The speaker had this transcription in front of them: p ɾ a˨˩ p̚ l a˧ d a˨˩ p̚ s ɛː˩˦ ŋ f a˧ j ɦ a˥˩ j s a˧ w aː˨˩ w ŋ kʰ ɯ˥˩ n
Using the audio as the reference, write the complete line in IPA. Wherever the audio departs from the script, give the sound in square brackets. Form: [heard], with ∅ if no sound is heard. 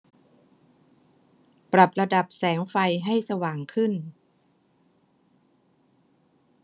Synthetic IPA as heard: p ɾ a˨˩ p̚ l a˧ d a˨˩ p̚ s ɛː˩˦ ŋ f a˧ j ɦ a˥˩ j s a˧ w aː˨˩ [∅] ŋ kʰ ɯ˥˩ n